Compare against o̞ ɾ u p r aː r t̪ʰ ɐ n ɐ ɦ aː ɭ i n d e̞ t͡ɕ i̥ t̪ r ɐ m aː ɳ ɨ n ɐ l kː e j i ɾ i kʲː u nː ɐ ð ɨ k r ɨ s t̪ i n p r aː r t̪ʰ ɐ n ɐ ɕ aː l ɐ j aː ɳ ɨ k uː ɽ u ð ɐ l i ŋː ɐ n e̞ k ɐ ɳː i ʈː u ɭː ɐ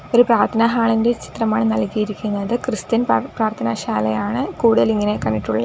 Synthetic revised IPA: o̞ ɾ u p r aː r t̪ʰ ɐ n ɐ ɦ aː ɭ i n d e̞ t͡ɕ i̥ t̪ r ɐ m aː ɳ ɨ n ɐ l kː i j i ɾ i kʲː u nː ɐ ð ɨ k r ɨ s t̪ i n p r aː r t̪ʰ ɐ n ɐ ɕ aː l ɐ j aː ɳ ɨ k uː ɽ u ð ɐ l i ŋː ɐ n e̞ k ɐ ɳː i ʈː u ɭː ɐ